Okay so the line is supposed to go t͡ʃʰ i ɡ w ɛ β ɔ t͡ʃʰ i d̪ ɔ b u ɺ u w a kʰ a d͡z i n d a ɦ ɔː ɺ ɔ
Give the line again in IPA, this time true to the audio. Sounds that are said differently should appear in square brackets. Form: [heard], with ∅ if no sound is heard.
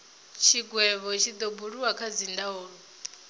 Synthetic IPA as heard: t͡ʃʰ i ɡ w ɛ β ɔ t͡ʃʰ i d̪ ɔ b u ɺ u w a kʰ a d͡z i n d a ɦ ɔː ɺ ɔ